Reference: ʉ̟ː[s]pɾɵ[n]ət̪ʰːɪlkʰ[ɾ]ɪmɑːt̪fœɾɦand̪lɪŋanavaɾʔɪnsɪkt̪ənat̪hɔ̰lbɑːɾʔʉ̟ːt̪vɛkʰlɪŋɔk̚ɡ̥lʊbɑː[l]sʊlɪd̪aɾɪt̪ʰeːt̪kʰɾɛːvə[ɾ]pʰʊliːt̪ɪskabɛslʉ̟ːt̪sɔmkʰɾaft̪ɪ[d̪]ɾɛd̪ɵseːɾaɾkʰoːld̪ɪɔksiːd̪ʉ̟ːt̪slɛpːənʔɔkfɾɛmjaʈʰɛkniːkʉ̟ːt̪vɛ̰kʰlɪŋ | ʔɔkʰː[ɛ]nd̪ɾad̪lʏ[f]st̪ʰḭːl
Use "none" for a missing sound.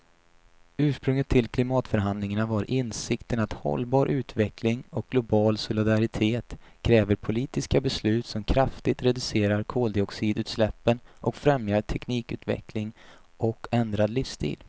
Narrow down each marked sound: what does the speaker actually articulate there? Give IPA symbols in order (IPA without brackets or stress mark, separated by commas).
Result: ʂ, ŋ, l, l, ɾ, t̪, ɛ, f